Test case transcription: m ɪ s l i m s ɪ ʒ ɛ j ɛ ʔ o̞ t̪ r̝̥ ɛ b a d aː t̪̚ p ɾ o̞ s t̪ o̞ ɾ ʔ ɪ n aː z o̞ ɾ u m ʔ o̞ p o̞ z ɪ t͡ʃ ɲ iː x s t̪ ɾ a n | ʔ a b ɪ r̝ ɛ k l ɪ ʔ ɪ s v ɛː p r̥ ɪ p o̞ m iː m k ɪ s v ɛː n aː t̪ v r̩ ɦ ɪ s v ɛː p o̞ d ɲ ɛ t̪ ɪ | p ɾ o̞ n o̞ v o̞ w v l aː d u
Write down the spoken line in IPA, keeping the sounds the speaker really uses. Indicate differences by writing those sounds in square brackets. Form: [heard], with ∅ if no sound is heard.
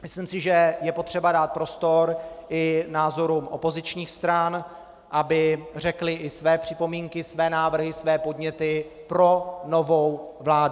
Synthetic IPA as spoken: m ɪ s l i m s ɪ ʒ ɛ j ɛ [p] o̞ t̪ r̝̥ ɛ b a d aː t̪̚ p ɾ o̞ s t̪ o̞ ɾ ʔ ɪ n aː z o̞ ɾ u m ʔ o̞ p o̞ z ɪ t͡ʃ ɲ iː x s t̪ ɾ a n | ʔ a b ɪ r̝ ɛ k l ɪ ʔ ɪ s v ɛː p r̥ ɪ p o̞ m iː [ŋ] k ɪ s v ɛː n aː [∅] v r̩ ɦ ɪ s v ɛː p o̞ d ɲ ɛ t̪ ɪ | p ɾ o̞ n o̞ v o̞ w v l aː d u